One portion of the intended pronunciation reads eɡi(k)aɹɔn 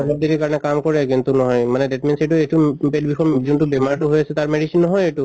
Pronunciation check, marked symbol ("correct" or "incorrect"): correct